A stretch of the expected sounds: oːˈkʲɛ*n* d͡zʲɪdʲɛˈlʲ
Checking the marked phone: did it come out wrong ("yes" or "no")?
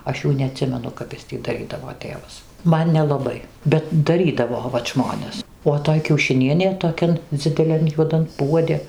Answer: no